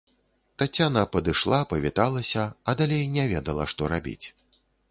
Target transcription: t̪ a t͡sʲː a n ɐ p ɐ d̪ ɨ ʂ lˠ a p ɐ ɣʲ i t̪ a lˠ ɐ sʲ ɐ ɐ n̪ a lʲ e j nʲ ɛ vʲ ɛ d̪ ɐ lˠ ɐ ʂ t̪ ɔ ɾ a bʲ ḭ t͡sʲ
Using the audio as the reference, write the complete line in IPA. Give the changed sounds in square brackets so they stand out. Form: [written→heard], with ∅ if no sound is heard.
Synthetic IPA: t̪ a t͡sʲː a n ɐ p ɐ d̪ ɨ ʂ lˠ a p ɐ [ɣʲ→vʲ] i t̪ a lˠ ɐ sʲ ɐ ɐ [n̪→d̪] a lʲ e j nʲ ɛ vʲ ɛ d̪ ɐ lˠ ɐ ʂ t̪ ɔ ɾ a bʲ ḭ t͡sʲ